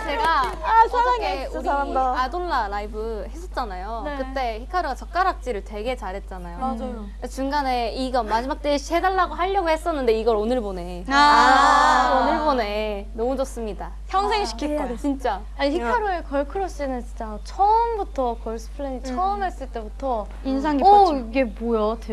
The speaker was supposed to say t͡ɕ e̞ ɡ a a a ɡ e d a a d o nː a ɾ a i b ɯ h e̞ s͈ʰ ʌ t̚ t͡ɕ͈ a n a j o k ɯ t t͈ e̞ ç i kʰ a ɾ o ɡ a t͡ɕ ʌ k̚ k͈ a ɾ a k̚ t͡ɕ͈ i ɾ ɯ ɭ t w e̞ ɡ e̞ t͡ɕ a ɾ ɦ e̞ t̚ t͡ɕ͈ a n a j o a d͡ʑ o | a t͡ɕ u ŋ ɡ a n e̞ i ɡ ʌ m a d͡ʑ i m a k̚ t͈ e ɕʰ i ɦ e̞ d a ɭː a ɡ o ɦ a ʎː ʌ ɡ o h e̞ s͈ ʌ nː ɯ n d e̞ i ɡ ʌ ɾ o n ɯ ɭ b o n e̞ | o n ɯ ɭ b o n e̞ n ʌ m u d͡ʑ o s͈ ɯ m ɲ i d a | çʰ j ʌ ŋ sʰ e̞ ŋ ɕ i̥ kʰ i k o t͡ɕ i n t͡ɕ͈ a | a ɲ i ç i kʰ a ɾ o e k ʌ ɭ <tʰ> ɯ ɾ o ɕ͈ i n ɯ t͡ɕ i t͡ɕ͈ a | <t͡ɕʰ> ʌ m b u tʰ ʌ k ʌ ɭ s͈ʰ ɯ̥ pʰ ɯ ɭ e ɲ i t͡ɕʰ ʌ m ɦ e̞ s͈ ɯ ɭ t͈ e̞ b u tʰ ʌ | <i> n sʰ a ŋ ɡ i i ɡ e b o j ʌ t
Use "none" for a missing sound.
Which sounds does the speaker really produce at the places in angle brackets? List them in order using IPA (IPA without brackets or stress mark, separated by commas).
kʰ, t͡ɕʰ, i